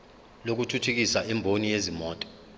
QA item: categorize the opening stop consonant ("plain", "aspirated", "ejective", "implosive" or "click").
plain